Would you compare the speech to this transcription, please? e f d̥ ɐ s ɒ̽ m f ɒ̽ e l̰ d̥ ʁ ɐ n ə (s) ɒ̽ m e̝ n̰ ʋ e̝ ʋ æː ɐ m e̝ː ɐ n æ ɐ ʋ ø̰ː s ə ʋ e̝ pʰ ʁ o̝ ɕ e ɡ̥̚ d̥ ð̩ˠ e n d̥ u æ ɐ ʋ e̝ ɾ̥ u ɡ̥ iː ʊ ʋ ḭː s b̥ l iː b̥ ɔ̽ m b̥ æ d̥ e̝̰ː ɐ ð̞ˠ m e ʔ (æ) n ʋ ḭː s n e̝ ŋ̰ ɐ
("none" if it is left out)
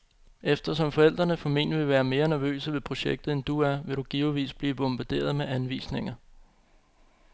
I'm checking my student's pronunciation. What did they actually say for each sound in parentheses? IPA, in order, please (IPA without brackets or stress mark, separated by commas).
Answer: f, æ